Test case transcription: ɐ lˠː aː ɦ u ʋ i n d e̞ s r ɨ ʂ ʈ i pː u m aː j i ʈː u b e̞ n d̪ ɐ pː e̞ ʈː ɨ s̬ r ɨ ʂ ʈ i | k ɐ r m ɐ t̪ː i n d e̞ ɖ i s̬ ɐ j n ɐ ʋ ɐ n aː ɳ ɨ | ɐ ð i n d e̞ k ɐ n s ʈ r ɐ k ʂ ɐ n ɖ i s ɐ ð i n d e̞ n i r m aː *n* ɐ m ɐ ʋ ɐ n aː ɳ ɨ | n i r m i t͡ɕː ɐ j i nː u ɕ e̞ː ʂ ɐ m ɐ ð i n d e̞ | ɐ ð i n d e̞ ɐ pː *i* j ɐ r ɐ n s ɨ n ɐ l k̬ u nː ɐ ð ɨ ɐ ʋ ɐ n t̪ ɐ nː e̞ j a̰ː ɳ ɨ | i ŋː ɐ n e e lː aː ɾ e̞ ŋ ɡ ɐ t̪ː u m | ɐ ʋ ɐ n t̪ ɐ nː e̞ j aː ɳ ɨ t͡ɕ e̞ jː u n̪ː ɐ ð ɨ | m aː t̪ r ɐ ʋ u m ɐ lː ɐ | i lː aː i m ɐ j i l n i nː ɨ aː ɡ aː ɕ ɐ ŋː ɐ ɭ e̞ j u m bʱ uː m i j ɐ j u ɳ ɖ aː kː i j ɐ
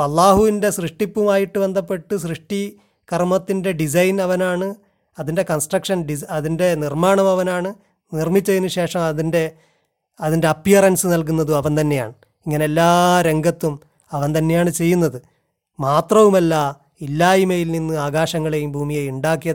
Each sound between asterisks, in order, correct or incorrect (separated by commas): incorrect, correct